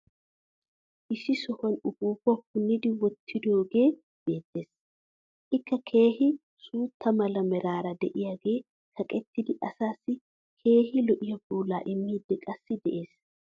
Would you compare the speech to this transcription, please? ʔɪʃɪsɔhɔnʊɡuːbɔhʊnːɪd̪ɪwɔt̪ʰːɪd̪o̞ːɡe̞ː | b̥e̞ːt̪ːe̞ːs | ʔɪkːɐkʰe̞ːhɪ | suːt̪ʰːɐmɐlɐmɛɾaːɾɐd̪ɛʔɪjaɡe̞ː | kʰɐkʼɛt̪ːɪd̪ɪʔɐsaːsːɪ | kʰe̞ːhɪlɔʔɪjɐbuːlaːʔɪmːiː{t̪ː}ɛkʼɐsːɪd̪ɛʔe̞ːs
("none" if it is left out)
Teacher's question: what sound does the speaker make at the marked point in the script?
d̪ː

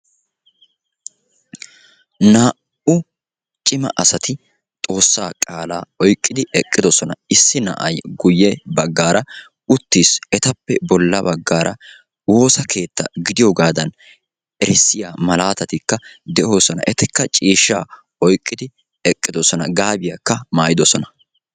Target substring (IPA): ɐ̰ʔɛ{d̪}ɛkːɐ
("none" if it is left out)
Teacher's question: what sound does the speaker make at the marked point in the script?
t̪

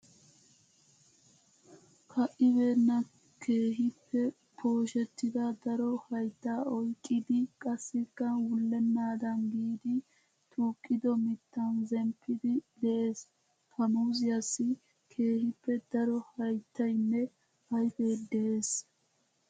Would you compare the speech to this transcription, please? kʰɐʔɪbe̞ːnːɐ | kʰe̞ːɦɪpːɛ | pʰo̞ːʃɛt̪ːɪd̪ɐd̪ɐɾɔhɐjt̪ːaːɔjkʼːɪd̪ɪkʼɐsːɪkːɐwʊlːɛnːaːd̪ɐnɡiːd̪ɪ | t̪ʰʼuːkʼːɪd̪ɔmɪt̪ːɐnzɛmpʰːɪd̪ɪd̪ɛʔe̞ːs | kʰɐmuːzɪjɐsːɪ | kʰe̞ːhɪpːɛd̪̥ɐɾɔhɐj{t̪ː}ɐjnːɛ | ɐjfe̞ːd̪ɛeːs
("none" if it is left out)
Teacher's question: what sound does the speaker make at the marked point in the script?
t̪ː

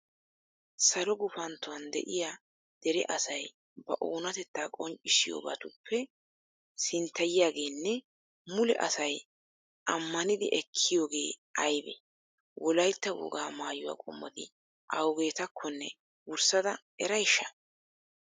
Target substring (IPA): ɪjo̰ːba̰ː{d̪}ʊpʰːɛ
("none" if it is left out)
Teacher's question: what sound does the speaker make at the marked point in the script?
t̪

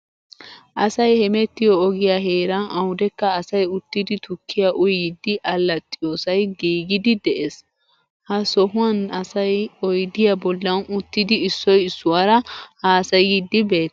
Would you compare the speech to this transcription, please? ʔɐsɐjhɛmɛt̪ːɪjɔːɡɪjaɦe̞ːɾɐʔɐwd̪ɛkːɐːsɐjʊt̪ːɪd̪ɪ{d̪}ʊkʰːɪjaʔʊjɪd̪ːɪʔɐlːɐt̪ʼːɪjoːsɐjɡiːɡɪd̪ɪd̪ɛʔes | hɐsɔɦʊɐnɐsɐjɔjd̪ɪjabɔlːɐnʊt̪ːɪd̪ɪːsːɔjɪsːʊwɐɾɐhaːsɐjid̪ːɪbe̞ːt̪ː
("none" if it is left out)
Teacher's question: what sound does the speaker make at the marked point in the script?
t̪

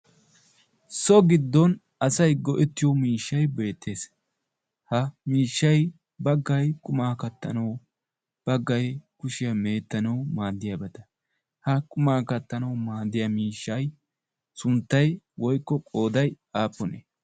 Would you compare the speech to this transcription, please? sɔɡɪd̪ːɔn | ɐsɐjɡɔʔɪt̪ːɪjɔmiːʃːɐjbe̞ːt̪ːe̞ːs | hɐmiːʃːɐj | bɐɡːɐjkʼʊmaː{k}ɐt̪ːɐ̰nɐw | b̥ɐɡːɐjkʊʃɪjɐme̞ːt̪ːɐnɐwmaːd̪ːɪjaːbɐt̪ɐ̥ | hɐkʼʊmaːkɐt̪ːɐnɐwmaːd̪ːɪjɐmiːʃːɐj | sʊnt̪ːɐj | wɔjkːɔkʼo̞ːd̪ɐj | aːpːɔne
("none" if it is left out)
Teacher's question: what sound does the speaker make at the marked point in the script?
k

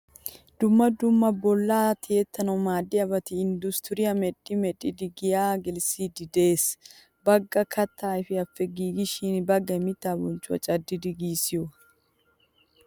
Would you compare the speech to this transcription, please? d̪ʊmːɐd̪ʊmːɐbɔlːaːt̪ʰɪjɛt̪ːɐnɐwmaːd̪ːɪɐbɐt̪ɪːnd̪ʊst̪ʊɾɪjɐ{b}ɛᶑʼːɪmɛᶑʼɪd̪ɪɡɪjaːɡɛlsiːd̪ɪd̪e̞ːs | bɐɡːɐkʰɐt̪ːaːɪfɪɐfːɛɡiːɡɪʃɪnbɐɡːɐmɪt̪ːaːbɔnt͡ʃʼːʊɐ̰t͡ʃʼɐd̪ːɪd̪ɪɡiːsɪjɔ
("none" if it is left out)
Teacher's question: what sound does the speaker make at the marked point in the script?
m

